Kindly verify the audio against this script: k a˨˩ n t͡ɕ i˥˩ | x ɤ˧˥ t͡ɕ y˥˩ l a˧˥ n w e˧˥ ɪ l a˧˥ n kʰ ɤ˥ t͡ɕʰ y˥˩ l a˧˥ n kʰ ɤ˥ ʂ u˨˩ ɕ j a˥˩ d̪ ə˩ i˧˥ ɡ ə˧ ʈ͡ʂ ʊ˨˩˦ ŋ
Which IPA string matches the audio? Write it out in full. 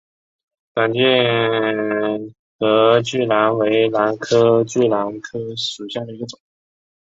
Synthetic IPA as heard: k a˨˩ n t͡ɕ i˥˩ | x ɤ˧˥ t͡ɕ y˥˩ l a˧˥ n w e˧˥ ɪ l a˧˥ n kʰ ɤ˥ t͡ɕ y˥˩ l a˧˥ n kʰ ɤ˥ ʂ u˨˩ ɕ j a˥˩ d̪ ə˩ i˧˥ ɡ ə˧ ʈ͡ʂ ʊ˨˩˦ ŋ